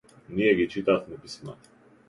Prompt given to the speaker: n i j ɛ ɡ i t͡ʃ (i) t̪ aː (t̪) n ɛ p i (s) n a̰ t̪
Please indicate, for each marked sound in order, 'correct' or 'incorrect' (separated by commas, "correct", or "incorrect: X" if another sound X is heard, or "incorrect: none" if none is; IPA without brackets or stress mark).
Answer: correct, correct, correct